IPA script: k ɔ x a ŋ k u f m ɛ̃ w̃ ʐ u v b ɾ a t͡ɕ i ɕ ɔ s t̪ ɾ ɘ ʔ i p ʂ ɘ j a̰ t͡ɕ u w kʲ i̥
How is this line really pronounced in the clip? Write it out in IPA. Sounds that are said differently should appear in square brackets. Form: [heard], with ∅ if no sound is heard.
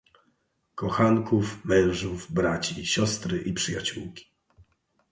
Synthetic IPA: k ɔ x a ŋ k u f m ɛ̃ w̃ ʐ u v b ɾ a t͡ɕ i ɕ ɔ s t̪ ɾ ɘ ʔ i p ʂ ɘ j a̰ t͡ɕ u w kʲ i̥

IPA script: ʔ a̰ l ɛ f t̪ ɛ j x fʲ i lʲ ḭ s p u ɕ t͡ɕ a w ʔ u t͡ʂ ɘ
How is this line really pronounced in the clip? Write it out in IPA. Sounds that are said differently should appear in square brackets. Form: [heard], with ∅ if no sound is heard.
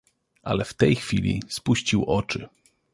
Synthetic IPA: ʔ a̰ l ɛ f t̪ ɛ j x fʲ i lʲ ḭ s p u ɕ t͡ɕ [i] w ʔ [ɔ] t͡ʂ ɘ

